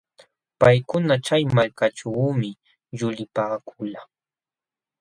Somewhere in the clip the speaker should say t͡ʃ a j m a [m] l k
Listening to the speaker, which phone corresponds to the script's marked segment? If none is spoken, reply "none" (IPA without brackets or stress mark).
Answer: none